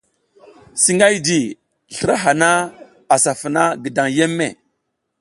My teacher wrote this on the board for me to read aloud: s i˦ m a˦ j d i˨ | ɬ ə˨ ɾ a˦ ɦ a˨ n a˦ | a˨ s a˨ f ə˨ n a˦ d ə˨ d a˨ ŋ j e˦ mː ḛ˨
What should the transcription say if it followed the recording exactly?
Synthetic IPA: s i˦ ŋ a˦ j d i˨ | ɬ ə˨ ɾ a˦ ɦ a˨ n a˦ | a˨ s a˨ f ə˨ n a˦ ɡ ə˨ d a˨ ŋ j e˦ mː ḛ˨